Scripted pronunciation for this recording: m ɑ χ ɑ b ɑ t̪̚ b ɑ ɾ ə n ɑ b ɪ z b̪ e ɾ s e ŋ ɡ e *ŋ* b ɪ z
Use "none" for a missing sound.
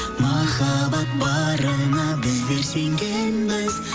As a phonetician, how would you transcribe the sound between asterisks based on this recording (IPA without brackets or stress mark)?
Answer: n